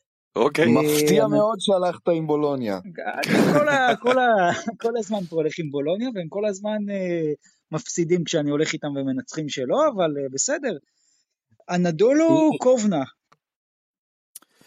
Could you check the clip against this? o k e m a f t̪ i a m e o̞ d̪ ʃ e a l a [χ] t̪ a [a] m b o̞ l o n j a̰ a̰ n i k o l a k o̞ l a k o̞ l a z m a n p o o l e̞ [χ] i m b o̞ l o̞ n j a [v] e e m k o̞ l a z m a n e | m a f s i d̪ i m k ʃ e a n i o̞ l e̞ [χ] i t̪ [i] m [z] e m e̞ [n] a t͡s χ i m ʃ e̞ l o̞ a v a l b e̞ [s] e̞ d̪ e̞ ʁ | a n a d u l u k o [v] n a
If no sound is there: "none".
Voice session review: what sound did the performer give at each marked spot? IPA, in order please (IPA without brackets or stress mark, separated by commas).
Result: χ, i, χ, v, χ, a, v, n, s, v